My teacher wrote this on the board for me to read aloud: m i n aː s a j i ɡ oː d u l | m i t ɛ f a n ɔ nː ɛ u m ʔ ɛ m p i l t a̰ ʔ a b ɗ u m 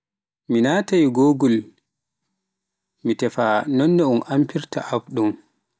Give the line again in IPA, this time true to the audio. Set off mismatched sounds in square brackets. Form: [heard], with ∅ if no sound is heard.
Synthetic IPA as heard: m i n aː [t] a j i ɡ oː [ɡ] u l | m i t ɛ f a n ɔ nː ɛ u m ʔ [a] m p i [ɾ] t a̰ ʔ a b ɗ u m